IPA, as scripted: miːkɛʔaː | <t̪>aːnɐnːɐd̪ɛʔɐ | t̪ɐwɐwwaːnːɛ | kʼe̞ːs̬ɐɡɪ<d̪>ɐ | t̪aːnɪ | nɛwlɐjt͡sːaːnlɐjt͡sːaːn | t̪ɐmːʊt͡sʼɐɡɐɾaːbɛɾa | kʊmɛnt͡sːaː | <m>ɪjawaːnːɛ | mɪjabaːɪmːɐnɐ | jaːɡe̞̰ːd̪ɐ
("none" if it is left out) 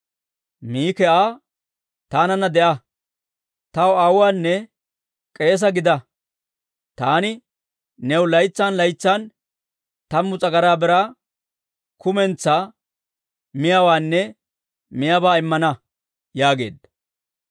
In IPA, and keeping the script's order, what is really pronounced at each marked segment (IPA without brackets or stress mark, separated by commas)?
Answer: t̪, d̪, m